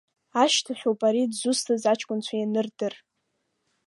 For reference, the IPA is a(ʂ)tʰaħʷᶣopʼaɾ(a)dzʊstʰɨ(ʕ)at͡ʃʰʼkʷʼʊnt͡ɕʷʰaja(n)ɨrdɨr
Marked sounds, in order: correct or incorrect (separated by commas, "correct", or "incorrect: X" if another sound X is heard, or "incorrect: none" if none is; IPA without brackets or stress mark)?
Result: incorrect: ʃ, incorrect: i, incorrect: z, correct